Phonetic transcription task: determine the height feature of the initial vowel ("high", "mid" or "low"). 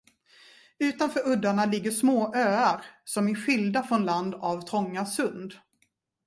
high